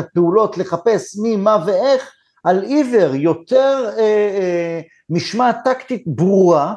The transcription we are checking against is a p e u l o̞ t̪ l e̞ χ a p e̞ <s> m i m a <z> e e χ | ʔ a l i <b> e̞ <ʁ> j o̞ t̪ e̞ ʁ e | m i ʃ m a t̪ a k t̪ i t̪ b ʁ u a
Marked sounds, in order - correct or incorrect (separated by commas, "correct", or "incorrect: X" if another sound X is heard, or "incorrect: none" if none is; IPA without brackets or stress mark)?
correct, incorrect: v, incorrect: v, correct